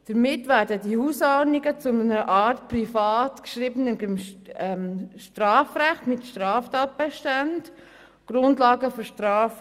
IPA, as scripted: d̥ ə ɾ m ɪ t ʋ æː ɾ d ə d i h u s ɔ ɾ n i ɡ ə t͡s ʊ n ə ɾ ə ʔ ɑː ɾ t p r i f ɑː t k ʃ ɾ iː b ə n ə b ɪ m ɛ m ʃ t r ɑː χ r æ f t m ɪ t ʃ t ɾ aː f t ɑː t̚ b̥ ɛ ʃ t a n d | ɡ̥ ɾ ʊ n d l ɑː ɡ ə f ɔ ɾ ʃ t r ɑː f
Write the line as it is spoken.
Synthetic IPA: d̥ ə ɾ m ɪ t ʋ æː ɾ d ə d i h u s ɔ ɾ n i ɡ ə t͡s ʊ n ə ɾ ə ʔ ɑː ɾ t p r i f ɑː t k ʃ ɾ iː b ə n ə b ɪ m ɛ m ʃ t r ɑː f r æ χ t m ɪ t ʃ t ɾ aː f t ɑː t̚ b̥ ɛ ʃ t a n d | ɡ̥ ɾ ʊ n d l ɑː ɡ ə f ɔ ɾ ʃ t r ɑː f